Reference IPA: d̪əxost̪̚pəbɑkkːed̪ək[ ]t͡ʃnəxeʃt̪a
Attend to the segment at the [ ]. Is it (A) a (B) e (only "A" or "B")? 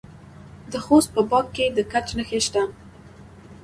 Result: A